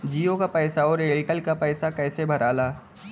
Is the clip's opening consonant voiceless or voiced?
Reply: voiced